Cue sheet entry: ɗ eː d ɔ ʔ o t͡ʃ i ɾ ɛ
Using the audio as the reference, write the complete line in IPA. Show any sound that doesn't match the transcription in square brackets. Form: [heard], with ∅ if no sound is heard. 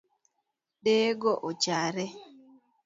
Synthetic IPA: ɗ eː [ɡ] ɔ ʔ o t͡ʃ [a] ɾ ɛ